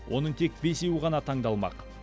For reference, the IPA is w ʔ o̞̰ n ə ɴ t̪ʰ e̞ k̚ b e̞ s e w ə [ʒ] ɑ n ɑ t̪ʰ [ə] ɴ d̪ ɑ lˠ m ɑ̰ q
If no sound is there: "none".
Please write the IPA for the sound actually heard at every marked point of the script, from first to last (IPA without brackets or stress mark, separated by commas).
ʁ, ɑ